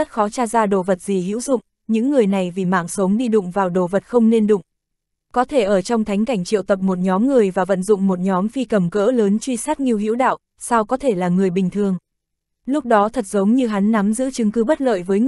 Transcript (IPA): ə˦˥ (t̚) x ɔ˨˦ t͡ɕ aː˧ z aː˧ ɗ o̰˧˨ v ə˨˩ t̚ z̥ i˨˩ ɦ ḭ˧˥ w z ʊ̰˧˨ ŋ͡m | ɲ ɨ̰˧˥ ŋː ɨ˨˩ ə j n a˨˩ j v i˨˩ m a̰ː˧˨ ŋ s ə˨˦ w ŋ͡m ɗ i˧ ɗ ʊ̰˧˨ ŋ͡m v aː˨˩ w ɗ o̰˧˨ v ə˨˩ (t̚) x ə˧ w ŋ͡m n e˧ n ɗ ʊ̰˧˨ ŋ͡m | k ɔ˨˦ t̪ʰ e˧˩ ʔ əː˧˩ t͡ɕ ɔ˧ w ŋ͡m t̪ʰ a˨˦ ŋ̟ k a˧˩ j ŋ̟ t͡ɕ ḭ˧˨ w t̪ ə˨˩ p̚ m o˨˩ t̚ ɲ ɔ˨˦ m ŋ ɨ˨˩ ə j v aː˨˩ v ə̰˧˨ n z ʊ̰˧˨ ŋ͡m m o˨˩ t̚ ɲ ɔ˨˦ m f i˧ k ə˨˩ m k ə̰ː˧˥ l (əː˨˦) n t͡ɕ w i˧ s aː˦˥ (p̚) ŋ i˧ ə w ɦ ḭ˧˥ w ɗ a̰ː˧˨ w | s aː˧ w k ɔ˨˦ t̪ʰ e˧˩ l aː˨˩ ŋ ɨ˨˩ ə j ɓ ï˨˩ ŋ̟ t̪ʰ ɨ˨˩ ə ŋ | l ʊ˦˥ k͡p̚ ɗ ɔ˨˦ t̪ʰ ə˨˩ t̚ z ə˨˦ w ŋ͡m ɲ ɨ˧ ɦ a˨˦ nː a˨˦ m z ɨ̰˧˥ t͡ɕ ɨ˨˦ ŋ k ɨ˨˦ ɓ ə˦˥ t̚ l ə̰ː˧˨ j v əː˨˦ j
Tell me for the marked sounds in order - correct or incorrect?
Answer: correct, correct, correct, incorrect

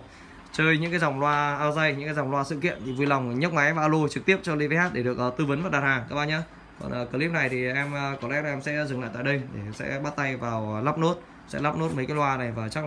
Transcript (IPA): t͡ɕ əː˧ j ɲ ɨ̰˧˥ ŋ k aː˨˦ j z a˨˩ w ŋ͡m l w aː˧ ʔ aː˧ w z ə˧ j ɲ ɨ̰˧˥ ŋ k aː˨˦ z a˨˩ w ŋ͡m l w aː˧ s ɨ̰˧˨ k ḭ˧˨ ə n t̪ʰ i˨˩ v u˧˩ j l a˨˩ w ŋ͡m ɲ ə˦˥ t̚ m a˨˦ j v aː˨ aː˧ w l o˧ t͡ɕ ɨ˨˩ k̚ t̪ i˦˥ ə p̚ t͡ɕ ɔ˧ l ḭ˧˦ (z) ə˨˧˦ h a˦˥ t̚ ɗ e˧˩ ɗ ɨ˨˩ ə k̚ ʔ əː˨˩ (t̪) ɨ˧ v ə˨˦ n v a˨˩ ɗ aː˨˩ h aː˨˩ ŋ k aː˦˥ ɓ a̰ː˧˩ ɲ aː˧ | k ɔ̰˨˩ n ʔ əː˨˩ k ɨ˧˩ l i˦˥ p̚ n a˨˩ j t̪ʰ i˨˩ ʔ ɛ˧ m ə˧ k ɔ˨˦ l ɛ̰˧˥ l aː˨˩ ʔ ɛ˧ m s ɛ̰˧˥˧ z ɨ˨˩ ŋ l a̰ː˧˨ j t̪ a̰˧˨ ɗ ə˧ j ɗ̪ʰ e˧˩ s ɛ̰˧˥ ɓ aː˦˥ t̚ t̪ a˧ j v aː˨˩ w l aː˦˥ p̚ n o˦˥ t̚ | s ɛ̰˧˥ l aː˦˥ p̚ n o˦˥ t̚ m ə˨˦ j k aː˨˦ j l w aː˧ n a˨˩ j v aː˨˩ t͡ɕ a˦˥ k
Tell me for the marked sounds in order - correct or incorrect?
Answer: incorrect, correct

